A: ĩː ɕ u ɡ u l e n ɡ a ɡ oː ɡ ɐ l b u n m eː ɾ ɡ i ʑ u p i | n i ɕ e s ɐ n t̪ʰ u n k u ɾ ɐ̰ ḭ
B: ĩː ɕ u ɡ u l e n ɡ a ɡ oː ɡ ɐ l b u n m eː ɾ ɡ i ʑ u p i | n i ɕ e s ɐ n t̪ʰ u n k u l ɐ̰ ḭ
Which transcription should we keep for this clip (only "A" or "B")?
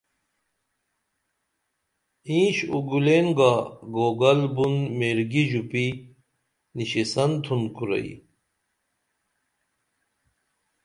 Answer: A